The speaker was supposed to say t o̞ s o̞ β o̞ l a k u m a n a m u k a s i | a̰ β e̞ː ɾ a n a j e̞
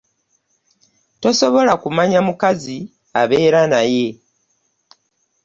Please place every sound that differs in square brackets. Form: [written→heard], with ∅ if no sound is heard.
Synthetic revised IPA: t o̞ s o̞ β o̞ l a k u m a [n→ɲ] a m u k a [s→z] i | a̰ β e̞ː ɾ a n a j e̞

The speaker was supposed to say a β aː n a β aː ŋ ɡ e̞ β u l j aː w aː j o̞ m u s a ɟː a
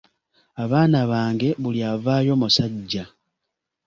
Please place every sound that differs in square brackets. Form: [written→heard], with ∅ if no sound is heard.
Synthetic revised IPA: a β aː n a β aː ŋ ɡ e̞ β u l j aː [w→v] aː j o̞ m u s a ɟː a

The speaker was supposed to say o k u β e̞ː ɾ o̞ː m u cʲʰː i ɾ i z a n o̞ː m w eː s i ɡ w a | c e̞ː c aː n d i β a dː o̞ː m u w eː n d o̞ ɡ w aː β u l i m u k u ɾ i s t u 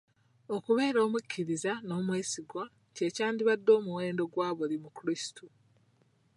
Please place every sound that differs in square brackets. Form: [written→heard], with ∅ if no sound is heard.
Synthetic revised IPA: o k u β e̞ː ɾ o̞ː m u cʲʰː i ɾ i z a n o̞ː m w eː s i ɡ w a | c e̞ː c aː n d i β a dː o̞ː m u w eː n d o̞ ɡ w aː β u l i m u k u ɾ i s t u

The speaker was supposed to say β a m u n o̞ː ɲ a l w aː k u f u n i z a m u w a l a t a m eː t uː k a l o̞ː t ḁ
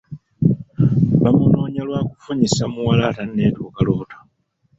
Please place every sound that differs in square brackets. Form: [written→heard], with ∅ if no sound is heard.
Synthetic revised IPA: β a m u n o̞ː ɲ a l w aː k u f u [n→ɲ] i [z→s] a m u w a l a t a [m→n] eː t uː k a l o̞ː t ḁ

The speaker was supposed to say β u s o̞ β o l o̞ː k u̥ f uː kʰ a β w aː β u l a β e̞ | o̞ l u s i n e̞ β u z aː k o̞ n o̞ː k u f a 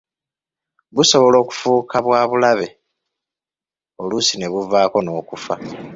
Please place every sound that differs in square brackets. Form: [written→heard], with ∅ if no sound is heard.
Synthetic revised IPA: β u s o̞ β o l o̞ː k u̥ f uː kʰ a β w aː β u l a β e̞ | o̞ l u s i n e̞ β u [z→v] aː k o̞ n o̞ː k u f a

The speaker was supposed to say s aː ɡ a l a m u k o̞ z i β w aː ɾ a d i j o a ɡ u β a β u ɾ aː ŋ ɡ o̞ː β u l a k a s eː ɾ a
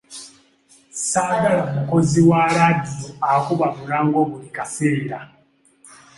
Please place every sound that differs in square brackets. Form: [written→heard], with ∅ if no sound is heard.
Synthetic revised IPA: s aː ɡ a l a m u k o̞ z i [β→∅] w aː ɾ a d i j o a [ɡ→k] u β a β u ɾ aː ŋ ɡ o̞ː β u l [a→i] k a s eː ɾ a

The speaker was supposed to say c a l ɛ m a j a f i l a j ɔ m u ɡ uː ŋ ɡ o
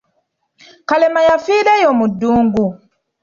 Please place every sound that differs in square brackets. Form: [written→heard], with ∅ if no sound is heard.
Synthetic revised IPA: [c→k] a l ɛ m a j a f i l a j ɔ m u [ɡ→d] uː ŋ ɡ [o→u]

